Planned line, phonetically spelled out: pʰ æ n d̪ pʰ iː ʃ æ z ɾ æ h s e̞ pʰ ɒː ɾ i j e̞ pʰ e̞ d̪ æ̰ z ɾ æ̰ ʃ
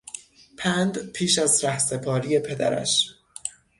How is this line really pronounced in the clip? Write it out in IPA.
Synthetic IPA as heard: pʰ æ n d̪ pʰ iː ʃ æ z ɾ æ h s e̞ pʰ ɒː ɾ i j e̞ pʰ e̞ d̪ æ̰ ɾ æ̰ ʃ